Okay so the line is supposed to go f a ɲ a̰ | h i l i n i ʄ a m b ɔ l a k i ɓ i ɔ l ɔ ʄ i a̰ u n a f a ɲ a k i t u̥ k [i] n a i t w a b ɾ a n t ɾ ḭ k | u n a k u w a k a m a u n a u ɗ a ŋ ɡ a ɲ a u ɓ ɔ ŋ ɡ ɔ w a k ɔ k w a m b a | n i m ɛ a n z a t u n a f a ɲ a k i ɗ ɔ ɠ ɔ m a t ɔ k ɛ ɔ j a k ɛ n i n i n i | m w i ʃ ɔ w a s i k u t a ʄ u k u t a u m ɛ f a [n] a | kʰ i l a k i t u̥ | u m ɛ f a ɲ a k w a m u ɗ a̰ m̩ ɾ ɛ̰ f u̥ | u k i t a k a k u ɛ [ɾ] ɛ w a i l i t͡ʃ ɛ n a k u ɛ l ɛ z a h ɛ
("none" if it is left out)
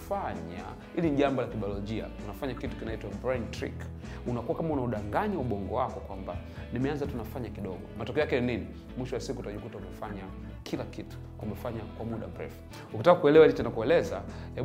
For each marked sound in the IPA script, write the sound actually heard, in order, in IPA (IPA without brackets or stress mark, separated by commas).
i, ɲ, l